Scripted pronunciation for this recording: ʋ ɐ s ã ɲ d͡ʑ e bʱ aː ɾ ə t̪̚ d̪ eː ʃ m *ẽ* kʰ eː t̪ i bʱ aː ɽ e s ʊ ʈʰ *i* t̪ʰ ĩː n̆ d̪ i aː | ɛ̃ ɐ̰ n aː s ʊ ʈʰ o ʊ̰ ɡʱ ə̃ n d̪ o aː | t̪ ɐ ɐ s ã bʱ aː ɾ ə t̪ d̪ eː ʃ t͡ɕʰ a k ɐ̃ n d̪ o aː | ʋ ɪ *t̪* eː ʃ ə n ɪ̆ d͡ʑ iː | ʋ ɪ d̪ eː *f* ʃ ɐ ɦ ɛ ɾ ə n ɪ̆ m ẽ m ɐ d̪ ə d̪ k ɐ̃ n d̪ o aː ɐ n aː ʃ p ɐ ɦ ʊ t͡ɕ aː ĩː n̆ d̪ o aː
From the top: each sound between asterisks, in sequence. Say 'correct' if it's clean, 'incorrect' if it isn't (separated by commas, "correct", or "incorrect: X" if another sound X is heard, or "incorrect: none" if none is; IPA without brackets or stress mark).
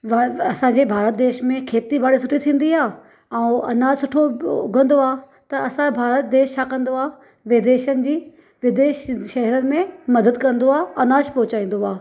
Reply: correct, correct, incorrect: d̪, incorrect: ʃ